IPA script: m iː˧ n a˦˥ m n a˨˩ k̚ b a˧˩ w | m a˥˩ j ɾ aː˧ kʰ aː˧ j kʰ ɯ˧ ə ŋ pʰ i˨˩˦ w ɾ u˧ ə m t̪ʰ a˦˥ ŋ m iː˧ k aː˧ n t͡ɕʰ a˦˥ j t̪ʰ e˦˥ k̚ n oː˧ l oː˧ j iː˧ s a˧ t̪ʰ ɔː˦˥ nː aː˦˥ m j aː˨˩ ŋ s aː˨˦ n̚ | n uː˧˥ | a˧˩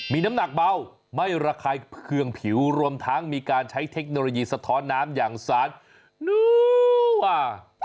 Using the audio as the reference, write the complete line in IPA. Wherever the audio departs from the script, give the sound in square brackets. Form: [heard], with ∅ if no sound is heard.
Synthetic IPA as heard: m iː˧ n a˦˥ m n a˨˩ k̚ b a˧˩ w | m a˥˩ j ɾ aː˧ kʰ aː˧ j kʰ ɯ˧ ə ŋ pʰ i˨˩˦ w ɾ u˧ ə m t̪ʰ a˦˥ ŋ m iː˧ k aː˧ n t͡ɕʰ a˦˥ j t̪ʰ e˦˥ k̚ n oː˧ l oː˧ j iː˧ s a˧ t̪ʰ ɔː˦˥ nː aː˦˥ m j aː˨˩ ŋ s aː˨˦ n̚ | n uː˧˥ | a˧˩